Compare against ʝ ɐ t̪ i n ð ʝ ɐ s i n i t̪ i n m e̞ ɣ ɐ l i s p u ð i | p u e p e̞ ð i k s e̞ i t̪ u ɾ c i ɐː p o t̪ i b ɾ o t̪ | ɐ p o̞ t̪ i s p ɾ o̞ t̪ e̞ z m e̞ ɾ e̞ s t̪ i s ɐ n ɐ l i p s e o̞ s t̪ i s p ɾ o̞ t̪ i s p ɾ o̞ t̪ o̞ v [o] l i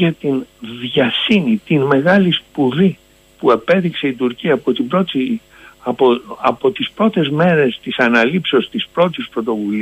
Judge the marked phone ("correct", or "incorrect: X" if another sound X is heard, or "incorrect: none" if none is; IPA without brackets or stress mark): incorrect: u